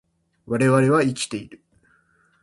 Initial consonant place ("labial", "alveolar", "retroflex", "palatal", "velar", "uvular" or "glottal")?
labial